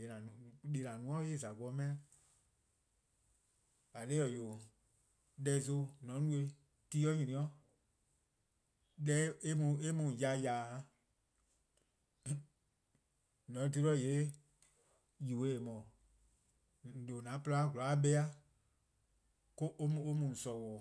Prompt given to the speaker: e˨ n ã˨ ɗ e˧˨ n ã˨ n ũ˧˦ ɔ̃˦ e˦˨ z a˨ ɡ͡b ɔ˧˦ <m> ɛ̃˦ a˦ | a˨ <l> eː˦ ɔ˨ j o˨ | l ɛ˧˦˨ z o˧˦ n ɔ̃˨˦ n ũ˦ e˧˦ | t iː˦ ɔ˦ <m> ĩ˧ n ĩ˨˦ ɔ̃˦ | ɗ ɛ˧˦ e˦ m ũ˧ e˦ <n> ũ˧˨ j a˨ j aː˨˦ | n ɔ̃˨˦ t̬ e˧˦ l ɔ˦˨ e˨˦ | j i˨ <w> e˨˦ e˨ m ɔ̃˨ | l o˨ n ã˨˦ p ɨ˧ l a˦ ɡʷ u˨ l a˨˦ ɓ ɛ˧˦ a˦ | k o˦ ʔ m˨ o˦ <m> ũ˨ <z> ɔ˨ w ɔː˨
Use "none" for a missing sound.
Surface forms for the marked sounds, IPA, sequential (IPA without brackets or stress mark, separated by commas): m, l, ɲ, m, w, m, s